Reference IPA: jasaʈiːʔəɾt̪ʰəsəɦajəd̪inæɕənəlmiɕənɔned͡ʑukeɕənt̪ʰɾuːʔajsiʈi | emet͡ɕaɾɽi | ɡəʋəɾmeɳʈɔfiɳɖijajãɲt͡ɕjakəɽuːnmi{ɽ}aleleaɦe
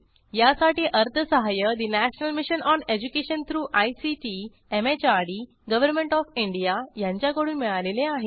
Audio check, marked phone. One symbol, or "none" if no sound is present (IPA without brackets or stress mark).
ɭ